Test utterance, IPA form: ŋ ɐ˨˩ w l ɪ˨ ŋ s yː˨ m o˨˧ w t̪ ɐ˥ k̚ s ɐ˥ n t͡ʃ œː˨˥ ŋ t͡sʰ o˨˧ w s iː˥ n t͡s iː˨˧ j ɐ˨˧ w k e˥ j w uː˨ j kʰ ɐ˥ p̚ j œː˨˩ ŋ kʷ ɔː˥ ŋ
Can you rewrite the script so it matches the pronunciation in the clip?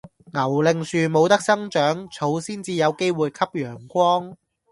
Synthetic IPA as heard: ŋ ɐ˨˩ w l ɪ˨ ŋ s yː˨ m o˨˧ w t̪ ɐ˥ k̚ s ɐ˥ ŋ t͡ʃ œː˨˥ ŋ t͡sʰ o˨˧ w s iː˥ n t͡s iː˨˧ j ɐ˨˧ w k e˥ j w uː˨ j kʰ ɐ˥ p̚ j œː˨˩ ŋ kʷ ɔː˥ ŋ